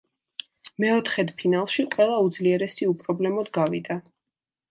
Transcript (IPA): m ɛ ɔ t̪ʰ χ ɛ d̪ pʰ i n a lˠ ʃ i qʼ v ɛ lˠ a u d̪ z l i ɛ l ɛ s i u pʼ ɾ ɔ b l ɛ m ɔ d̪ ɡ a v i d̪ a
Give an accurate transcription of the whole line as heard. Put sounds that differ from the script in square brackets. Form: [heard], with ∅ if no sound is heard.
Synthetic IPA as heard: m ɛ ɔ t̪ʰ χ ɛ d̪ pʰ i n a lˠ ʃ i qʼ [w] ɛ lˠ a u d̪ z l i ɛ [ɾ] ɛ s i u pʼ ɾ ɔ b l ɛ m ɔ d̪ ɡ a v i d̪ a